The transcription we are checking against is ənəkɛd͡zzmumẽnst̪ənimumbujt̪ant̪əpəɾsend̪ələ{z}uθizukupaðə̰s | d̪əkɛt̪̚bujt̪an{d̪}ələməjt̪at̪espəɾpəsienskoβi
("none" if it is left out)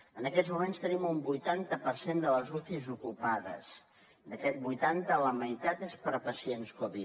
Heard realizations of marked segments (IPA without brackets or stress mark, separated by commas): z, t̪